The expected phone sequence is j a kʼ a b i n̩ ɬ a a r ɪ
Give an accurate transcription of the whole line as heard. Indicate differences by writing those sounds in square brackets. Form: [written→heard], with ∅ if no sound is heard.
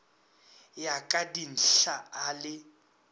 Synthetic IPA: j a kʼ a [b→d] i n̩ ɬ a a [r→l] ɪ